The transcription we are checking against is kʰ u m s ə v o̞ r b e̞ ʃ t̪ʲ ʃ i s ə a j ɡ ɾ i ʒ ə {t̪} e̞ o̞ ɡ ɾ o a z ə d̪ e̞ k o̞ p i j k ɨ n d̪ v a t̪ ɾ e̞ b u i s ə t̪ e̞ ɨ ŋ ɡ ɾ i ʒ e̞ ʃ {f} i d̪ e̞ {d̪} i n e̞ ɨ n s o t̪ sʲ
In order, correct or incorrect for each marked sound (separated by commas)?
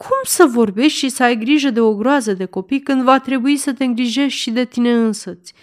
incorrect, incorrect, incorrect